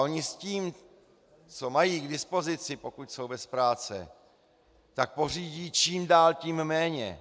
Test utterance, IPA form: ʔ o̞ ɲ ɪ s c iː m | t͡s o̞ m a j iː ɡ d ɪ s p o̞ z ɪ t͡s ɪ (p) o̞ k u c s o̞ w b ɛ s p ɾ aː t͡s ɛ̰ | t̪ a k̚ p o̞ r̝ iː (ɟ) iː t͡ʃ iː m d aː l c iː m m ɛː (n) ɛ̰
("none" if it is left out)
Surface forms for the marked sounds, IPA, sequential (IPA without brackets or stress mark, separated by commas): p, ɟ, ɲ